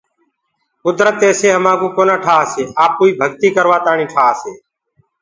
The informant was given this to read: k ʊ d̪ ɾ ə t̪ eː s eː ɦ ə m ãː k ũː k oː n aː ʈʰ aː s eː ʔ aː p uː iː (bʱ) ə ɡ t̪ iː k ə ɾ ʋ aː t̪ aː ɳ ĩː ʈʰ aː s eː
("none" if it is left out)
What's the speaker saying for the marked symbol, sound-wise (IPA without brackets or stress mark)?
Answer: bʱ